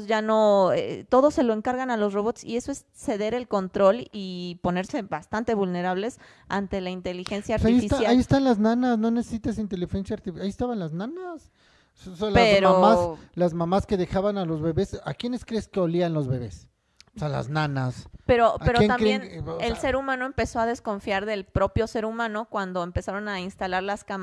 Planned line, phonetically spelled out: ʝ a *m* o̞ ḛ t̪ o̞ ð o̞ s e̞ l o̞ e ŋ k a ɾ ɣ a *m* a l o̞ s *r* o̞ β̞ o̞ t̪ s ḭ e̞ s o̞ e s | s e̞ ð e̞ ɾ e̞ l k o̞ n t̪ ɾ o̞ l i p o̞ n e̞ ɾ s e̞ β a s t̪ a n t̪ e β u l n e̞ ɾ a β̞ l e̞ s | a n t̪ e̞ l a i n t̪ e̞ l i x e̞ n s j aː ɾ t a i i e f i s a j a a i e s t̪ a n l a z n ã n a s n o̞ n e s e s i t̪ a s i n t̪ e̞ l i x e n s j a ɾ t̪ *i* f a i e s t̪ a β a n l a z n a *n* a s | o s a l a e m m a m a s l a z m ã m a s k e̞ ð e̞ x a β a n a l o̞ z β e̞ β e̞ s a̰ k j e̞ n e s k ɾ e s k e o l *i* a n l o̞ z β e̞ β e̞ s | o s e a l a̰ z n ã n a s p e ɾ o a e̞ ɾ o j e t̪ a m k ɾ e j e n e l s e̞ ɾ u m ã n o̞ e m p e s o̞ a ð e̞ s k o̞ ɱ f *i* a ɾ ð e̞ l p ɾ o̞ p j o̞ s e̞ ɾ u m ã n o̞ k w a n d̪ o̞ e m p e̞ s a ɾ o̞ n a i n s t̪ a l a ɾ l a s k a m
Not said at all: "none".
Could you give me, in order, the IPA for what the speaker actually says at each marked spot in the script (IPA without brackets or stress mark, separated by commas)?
n, n, r, i, n, i, j